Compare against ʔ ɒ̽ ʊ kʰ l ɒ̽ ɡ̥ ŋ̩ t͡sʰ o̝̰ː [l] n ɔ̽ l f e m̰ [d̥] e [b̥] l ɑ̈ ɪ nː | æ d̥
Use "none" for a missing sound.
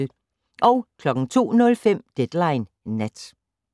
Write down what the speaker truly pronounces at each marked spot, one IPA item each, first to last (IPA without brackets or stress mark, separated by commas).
none, d̥, d̥